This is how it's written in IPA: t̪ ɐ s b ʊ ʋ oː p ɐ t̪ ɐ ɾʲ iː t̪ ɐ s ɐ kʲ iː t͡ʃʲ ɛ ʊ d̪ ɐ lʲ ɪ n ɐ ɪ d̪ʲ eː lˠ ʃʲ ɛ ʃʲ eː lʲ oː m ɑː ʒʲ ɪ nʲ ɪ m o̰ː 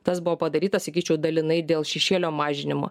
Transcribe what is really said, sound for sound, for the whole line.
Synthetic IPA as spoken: t̪ ɐ s b ʊ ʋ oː p ɐ d̪ ɐ ɾʲ iː t̪ ɐ s ɐ kʲ iː t͡ʃʲ ɛ ʊ d̪ ɐ lʲ ɪ n ɐ ɪ d̪ʲ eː lˠ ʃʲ ɛ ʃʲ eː lʲ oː m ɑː ʒʲ ɪ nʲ ɪ m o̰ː

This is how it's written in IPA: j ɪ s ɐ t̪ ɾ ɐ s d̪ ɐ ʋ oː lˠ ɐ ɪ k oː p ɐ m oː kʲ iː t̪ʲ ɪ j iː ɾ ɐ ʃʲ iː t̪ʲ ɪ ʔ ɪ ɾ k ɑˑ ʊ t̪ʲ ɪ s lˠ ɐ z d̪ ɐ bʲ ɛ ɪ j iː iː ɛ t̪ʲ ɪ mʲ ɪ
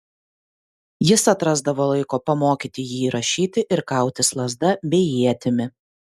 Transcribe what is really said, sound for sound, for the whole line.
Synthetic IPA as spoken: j ɪ s ɐ t̪ ɾ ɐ z d̪ ɐ ʋ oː lˠ ɐ ɪ k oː p ɐ m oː kʲ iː t̪ʲ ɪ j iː ɾ ɐ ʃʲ iː t̪ʲ ɪ ʔ ɪ ɾ k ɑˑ ʊ t̪ʲ ɪ s lˠ ɐ z d̪ ɐ bʲ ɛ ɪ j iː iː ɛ t̪ʲ ɪ mʲ ɪ

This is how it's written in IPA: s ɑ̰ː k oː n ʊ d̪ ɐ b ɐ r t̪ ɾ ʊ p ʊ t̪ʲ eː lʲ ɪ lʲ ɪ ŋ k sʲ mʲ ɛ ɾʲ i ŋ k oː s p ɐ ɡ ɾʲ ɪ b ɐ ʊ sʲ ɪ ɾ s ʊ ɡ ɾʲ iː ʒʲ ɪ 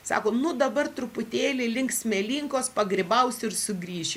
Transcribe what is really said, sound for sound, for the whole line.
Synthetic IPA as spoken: s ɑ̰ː k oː n ʊ d̪ ɐ b ɐ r t̪ ɾ ʊ p ʊ t̪ʲ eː lʲ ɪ lʲ ɪ ŋ k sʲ mʲ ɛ lʲ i ŋ k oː s p ɐ ɡ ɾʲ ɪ b ɐ ʊ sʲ ɪ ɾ s ʊ ɡ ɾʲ iː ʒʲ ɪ

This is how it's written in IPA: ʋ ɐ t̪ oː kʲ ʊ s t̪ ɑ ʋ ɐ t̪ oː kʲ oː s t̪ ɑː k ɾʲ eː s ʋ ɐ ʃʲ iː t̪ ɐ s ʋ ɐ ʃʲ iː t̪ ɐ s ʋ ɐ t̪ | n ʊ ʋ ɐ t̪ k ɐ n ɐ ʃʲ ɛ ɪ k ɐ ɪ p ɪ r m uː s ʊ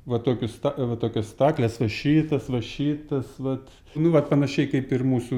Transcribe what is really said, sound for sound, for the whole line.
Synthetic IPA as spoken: ʋ ɐ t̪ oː kʲ ʊ s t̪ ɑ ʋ ɐ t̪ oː kʲ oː s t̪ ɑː k lʲ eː s ʋ ɐ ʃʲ iː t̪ ɐ s ʋ ɐ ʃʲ iː t̪ ɐ s ʋ ɐ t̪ | n ʊ ʋ ɐ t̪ p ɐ n ɐ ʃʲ ɛ ɪ k ɐ ɪ p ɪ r m uː s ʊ

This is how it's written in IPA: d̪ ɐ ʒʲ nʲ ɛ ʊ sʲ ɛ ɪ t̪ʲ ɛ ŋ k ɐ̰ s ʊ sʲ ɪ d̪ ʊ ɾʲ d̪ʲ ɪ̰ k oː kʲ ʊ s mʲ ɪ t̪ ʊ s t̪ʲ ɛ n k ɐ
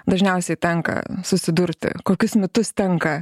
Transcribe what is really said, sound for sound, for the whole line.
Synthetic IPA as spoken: d̪ ɐ ʒʲ nʲ ɛ ʊ sʲ ɛ ɪ t̪ʲ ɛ ŋ k ɐ̰ s ʊ sʲ ɪ d̪ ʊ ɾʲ t̪ʲ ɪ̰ k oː kʲ ʊ s mʲ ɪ t̪ ʊ s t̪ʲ ɛ ŋ k ɐ

